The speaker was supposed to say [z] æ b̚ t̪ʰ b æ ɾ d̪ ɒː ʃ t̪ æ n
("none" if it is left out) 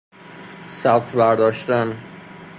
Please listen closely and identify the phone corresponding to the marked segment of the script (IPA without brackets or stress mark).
s